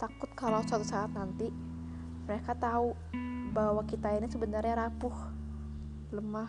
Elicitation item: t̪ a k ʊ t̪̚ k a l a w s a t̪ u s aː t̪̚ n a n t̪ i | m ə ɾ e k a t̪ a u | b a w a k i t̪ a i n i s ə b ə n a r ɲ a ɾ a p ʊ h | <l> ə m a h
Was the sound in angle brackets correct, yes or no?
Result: yes